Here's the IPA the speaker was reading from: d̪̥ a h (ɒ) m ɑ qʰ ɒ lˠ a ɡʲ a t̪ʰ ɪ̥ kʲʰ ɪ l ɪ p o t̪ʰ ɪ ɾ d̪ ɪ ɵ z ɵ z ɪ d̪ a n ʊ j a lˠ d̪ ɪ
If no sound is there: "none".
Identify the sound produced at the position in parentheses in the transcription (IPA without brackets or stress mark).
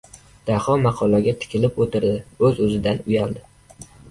ɒ